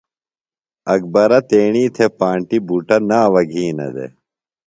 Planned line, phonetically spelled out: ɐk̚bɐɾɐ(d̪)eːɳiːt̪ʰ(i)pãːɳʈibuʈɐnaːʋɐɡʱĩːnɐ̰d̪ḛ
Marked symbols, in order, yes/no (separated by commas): no, no